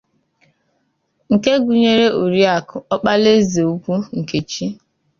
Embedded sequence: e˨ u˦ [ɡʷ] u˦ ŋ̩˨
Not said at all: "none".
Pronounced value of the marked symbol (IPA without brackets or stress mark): kʷ